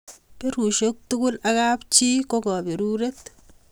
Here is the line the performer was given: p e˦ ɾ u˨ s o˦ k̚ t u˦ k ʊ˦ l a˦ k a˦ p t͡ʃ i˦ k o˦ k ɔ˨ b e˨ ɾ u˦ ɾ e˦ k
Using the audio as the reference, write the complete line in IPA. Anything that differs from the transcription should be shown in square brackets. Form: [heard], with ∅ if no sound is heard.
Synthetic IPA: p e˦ ɾ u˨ [ʃ] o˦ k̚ t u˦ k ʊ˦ l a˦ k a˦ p t͡ʃ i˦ k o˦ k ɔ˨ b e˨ ɾ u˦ ɾ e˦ [t]